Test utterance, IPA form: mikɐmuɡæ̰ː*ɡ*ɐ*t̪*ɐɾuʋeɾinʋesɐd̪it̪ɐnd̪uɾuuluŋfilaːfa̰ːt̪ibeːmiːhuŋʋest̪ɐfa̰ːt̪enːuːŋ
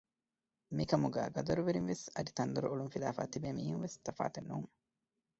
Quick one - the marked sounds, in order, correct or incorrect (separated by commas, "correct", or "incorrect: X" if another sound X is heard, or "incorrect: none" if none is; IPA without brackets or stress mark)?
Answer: correct, incorrect: d̪